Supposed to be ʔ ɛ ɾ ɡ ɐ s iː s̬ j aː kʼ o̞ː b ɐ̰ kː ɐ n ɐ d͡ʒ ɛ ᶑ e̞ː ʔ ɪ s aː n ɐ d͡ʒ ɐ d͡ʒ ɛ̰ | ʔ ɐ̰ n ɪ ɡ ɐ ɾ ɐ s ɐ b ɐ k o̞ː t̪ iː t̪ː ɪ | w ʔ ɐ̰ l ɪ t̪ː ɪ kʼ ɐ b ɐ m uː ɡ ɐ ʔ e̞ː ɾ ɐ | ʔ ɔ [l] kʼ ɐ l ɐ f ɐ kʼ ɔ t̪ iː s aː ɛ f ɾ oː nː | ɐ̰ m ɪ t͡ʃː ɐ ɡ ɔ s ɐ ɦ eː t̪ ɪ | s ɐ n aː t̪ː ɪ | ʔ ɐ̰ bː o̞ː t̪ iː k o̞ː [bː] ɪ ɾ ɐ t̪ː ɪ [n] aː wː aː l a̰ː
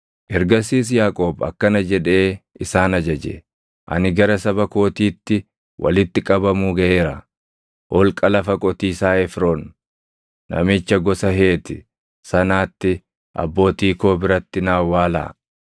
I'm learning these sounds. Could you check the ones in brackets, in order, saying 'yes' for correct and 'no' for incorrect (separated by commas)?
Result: yes, no, yes